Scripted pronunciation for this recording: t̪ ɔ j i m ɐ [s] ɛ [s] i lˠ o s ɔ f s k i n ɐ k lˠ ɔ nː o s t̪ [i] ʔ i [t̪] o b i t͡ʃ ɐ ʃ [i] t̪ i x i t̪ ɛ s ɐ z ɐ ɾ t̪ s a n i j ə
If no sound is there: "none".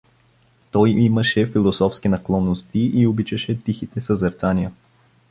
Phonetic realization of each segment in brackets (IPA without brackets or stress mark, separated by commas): ʃ, f, i, none, ɛ